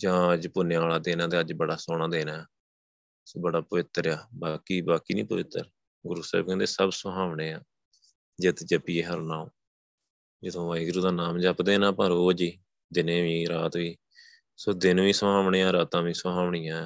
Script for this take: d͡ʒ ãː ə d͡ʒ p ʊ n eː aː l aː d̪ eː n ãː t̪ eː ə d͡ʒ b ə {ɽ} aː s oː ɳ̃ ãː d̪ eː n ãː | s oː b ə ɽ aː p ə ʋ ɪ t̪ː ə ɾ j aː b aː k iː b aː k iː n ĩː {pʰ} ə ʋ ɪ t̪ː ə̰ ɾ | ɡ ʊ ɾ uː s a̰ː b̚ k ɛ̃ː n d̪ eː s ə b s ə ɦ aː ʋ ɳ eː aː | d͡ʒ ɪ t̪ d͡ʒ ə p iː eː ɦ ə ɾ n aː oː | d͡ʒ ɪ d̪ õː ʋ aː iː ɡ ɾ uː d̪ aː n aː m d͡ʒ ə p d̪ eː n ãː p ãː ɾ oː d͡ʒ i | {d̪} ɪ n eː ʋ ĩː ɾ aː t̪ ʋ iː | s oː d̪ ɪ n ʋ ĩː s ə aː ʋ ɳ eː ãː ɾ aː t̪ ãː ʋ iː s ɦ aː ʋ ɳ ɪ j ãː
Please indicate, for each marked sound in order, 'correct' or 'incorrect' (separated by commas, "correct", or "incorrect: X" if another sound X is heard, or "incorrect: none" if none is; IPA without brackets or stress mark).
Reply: correct, incorrect: p, correct